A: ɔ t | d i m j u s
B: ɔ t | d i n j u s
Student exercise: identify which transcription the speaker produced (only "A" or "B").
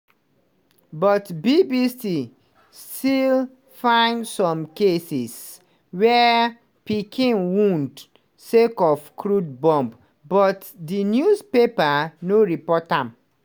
B